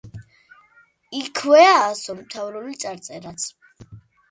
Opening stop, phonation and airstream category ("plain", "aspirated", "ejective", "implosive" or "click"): aspirated